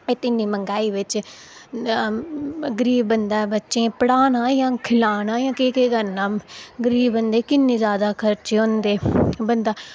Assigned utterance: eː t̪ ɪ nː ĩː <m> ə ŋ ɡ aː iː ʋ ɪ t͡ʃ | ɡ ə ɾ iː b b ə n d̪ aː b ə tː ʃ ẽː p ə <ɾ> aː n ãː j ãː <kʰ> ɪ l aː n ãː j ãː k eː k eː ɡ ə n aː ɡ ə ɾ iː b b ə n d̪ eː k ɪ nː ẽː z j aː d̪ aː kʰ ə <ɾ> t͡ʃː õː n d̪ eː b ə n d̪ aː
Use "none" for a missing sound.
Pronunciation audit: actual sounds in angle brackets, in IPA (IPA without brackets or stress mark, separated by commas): m, ɽ, kʰ, ɾ